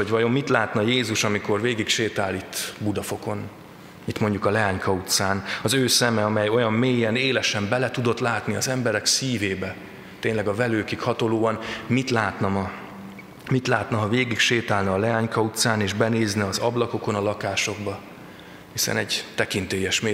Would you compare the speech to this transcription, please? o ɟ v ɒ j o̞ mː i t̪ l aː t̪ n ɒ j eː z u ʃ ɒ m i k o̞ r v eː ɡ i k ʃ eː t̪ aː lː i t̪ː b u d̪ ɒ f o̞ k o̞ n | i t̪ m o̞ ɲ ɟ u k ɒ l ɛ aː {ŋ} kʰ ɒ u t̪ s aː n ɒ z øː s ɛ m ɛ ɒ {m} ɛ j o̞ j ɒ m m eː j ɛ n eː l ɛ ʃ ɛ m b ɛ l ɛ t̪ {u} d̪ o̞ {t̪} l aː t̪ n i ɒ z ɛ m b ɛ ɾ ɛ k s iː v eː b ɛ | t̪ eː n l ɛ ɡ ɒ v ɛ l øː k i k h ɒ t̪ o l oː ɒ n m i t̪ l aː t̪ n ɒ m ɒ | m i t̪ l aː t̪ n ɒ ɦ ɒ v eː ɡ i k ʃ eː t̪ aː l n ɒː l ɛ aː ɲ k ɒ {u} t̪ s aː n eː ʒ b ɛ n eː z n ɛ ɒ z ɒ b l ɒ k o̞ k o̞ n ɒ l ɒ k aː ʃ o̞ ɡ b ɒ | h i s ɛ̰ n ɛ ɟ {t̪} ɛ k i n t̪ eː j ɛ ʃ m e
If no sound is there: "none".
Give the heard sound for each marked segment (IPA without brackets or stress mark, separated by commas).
ɲ, m, u, t̪, u, t̪